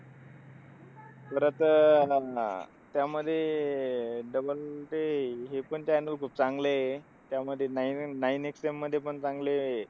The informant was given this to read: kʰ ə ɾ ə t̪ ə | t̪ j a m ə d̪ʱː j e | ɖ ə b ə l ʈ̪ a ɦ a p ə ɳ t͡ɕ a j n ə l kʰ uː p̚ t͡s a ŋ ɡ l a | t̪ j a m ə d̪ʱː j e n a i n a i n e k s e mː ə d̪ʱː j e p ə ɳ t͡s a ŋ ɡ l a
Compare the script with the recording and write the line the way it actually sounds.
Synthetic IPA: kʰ ə ɾ ə t̪ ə | t̪ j a m ə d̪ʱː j e | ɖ ə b ə l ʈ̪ e ɦ e p ə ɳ t͡ɕ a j n ə l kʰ uː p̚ t͡s a ŋ ɡ l e | t̪ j a m ə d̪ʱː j e n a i n a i n e k s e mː ə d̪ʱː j e p ə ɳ t͡s a ŋ ɡ l e